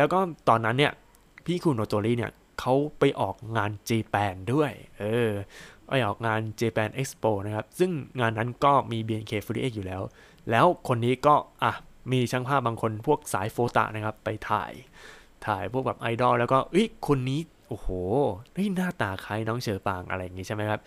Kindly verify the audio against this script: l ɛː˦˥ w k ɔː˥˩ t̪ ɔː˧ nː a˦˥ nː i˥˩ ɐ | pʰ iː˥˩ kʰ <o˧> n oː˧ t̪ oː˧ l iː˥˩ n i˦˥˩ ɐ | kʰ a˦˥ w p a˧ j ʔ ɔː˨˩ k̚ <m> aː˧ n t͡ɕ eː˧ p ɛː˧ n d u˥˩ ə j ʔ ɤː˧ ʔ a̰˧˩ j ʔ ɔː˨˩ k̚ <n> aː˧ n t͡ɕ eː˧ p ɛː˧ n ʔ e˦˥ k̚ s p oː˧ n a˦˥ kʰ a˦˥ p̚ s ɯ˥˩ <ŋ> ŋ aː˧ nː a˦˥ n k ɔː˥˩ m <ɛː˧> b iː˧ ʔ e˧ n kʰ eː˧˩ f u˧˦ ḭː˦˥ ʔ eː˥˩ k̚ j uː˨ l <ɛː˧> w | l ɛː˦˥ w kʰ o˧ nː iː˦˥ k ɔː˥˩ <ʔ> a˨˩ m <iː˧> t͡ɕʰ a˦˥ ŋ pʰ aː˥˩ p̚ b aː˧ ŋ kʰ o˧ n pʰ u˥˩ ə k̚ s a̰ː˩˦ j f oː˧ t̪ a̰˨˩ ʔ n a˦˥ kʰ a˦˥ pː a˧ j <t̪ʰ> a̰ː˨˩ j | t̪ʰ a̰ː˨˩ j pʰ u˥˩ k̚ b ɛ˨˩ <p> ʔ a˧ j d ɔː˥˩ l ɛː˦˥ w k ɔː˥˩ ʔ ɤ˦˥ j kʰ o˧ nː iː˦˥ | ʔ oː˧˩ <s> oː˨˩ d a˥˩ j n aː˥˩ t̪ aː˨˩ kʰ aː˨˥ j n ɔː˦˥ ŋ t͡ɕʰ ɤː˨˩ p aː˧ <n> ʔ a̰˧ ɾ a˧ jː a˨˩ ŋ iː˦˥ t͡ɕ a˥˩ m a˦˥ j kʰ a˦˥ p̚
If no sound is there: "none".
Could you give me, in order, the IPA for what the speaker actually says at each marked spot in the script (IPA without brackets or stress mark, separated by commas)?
u˧, ŋ, ŋ, ŋ, iː˧, ɛː˦˥, ʔ, iː˧, t̪ʰ, p, h, ŋ